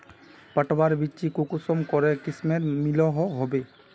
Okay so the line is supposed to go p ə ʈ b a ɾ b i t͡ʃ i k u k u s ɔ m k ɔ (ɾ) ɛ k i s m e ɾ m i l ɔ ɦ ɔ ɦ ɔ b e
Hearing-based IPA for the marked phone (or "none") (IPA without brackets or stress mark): ɾ